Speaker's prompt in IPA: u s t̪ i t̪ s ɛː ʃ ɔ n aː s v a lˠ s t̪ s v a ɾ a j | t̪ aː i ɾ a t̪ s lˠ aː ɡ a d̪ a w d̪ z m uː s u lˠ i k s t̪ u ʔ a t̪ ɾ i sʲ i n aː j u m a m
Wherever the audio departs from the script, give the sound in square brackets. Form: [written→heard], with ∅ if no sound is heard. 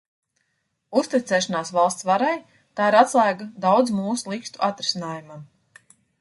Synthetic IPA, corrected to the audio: u s t̪ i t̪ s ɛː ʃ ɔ n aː s v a lˠ s t̪ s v a ɾ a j | t̪ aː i ɾ a t̪ s lˠ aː ɡ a d̪ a w d̪ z m uː s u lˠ i k s t̪ u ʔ a t̪ ɾ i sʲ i n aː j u m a m